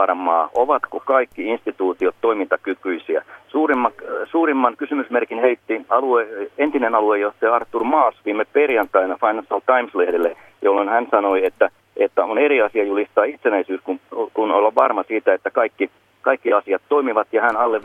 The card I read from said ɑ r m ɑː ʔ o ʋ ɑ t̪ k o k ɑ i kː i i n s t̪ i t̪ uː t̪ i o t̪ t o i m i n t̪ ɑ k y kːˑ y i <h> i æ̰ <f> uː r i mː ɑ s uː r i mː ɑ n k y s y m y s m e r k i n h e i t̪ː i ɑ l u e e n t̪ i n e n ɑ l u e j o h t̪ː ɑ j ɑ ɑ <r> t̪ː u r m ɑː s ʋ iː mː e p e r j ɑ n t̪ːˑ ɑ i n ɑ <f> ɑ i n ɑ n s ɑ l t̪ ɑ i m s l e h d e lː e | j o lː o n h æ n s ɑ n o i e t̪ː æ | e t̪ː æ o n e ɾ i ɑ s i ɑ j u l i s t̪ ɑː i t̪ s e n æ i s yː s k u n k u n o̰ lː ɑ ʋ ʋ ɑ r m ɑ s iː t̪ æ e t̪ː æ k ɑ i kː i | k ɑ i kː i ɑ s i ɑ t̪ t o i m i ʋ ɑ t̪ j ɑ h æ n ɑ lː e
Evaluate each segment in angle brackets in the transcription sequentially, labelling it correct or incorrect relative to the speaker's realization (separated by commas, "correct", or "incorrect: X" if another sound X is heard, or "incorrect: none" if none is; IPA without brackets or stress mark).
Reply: incorrect: s, incorrect: s, correct, correct